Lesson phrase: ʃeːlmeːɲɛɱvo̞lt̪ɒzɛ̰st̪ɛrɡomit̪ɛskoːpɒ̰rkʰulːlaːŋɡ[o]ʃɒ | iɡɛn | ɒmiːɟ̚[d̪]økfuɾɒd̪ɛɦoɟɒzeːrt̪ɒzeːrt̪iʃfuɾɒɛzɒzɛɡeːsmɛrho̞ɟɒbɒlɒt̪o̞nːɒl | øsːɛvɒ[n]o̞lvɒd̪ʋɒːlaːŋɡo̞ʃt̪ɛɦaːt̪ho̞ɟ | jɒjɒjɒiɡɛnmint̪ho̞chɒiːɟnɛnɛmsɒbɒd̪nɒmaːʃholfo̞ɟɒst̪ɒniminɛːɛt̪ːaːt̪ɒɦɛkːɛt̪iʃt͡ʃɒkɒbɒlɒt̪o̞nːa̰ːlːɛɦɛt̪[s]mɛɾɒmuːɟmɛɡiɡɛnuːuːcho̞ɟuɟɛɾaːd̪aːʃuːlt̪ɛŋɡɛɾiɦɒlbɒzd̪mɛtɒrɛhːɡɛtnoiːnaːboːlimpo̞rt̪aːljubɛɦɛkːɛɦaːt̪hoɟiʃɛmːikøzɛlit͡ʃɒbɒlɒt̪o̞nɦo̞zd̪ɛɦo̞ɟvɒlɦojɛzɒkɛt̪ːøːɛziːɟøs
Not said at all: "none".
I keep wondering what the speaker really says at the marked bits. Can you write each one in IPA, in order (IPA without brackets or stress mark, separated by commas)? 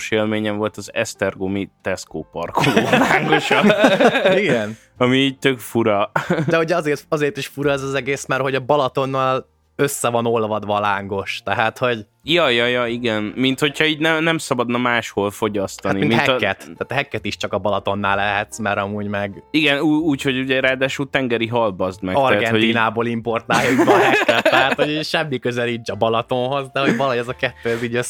o, t̪, n, s